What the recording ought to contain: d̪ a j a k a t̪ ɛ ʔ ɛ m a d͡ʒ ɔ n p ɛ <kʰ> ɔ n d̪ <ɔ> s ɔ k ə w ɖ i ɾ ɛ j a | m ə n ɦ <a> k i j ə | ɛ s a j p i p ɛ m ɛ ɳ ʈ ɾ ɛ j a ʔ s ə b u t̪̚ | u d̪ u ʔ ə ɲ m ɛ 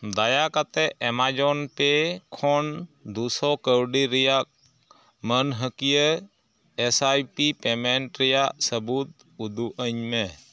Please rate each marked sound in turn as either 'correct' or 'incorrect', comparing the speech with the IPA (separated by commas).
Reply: correct, incorrect, incorrect